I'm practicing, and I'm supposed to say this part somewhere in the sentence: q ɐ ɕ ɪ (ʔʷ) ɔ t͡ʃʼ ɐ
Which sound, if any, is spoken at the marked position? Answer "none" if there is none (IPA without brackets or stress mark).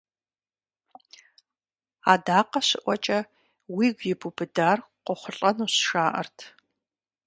ʔʷ